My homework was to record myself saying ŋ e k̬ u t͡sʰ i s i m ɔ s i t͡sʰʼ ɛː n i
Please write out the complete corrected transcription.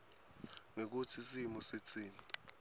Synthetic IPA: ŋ e k̬ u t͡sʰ i s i m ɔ s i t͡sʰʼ iː n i